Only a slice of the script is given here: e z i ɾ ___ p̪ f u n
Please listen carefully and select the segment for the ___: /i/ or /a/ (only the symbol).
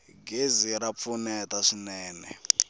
a